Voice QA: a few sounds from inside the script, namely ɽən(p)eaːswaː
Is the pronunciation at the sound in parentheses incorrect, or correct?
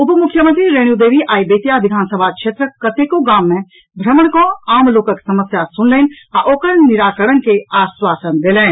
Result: incorrect